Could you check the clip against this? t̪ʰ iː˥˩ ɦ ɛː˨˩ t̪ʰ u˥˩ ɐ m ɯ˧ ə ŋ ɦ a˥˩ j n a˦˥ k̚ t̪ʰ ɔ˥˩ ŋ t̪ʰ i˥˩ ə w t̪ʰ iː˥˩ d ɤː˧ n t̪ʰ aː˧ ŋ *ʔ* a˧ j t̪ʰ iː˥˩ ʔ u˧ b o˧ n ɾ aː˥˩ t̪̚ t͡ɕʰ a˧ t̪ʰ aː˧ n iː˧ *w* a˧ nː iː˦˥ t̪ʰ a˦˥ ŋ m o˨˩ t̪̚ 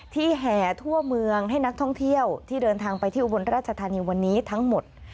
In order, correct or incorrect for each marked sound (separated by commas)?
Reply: incorrect, correct